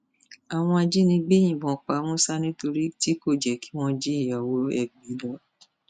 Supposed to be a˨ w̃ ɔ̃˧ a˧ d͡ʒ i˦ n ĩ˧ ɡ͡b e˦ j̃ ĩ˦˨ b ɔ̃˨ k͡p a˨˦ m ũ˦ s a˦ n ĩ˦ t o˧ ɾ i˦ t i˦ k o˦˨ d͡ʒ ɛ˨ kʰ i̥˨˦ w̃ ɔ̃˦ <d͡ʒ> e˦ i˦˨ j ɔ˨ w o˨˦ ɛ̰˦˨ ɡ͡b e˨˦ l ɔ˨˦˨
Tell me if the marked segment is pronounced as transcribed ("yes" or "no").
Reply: yes